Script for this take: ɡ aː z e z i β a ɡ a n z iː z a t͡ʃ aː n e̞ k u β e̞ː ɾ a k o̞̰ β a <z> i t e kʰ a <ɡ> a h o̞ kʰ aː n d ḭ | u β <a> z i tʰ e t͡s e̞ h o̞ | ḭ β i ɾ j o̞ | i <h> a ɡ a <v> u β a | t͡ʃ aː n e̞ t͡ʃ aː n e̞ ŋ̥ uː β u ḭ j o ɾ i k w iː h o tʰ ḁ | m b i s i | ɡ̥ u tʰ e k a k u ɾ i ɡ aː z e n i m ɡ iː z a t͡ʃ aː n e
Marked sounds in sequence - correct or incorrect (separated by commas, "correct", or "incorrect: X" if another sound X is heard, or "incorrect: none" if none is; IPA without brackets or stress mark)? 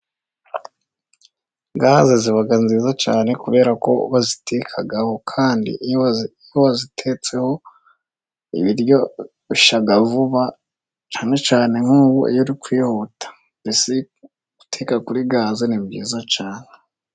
correct, correct, correct, incorrect: ʃ, correct